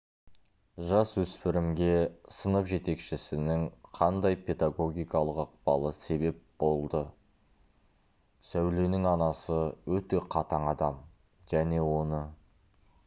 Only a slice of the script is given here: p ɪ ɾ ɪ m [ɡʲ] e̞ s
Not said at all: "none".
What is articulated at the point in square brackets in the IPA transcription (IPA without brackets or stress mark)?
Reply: ɡʲ